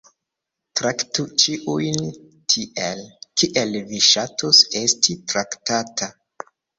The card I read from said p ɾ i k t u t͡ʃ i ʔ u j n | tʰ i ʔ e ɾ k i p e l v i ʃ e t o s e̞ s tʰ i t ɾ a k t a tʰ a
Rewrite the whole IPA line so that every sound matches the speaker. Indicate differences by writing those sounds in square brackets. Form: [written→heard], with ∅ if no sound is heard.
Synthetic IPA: [p→t] ɾ [i→a] k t u t͡ʃ i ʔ u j n | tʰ i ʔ e [ɾ→l] k i [p→ʔ] e l v i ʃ [e→a] t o s e̞ s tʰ i t ɾ a k t a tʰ a

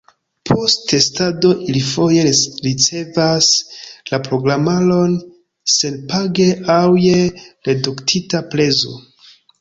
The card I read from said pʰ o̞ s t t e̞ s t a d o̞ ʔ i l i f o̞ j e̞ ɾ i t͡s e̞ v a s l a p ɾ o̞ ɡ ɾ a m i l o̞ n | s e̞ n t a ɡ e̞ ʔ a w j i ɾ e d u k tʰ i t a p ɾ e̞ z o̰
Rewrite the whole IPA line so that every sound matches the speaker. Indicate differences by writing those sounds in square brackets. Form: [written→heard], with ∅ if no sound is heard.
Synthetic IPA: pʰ o̞ s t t e̞ s t a d o̞ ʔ i l i f o̞ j e̞ ɾ i t͡s e̞ v a s l a p ɾ o̞ ɡ ɾ a m [i→a] l o̞ n | s e̞ n [t→p] a ɡ e̞ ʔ a w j [i→e] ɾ e d u k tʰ i t a p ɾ e̞ z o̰

